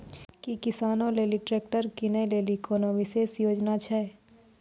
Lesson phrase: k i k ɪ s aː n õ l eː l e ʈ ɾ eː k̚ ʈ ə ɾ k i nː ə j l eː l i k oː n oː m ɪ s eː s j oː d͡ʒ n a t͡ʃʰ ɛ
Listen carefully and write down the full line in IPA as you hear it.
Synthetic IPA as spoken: k i k ɪ s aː n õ l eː l i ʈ ɾ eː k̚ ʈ ə ɾ k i n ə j l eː l i k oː n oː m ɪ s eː s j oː d͡ʒ n a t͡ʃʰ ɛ